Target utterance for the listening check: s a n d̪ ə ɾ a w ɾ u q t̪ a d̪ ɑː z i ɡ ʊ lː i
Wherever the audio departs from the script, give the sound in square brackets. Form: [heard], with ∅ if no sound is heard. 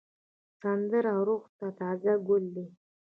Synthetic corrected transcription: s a n d̪ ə ɾ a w ɾ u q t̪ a [t̪] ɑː z [a] ɡ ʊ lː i